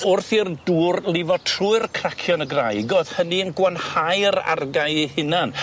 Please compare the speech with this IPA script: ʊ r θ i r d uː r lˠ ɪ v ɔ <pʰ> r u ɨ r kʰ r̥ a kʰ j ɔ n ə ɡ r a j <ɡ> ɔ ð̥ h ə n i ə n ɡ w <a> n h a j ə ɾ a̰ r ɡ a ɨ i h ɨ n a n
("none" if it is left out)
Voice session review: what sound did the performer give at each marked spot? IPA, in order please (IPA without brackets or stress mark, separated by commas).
tʰ, ɡ, a